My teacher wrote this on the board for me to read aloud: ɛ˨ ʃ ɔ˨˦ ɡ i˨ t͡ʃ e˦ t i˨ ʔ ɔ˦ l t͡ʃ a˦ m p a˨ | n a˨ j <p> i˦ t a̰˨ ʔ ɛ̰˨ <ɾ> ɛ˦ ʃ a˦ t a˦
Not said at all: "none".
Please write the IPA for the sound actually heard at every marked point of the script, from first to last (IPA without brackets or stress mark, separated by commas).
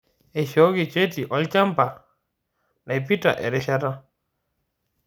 p, ɾ